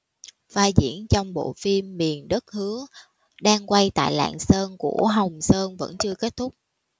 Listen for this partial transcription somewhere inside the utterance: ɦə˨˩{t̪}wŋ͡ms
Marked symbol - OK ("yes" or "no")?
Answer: no